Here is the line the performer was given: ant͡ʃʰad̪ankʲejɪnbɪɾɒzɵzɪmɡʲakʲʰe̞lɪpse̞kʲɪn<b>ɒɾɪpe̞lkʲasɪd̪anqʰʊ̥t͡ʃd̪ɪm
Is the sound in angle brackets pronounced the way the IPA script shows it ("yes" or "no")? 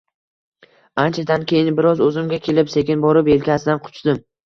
yes